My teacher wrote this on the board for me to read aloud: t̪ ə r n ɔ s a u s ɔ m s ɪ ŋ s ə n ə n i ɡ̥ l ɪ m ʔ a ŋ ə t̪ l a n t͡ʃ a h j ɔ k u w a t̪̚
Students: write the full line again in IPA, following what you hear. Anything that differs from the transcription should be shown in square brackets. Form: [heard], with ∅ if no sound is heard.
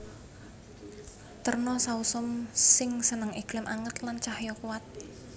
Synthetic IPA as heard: t̪ ə r n ɔ s a u s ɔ m s ɪ ŋ s ə n ə [ŋ] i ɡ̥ l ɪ m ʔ a ŋ ə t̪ l a n t͡ʃ a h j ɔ k u w a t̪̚